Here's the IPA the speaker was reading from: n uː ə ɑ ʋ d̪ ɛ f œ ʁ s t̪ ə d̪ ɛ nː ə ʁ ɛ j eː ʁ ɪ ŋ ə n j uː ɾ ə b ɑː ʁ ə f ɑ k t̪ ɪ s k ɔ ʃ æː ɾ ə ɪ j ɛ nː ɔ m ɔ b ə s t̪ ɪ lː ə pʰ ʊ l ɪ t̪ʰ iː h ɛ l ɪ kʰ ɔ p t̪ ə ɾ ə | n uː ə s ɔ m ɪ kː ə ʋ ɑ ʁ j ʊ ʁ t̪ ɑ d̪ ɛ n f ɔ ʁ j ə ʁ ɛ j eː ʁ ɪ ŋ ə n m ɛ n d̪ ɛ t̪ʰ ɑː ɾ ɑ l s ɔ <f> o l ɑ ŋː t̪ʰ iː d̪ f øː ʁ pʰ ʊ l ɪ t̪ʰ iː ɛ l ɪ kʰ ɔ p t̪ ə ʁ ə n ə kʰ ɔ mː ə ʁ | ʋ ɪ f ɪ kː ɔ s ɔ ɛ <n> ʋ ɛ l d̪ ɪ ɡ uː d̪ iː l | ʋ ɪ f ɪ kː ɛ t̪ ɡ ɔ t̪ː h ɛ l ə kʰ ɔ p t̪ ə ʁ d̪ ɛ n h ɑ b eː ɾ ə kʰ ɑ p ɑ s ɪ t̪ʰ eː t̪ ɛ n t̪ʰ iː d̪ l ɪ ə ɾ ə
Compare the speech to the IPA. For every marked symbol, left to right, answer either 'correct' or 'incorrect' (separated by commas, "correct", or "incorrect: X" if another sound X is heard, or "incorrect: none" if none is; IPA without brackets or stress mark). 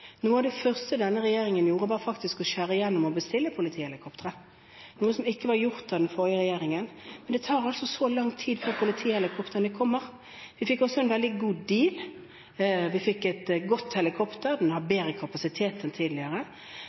incorrect: s, correct